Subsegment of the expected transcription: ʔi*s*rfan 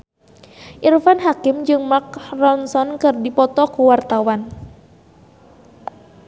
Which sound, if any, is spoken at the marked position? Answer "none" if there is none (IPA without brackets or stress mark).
none